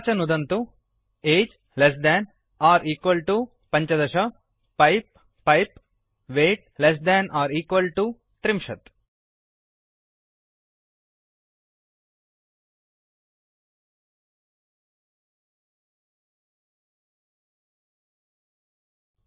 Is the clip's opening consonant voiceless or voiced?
voiceless